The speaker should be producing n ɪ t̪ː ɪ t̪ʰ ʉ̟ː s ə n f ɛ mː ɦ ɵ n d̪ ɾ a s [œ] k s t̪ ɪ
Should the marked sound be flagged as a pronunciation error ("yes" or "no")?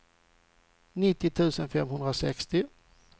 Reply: yes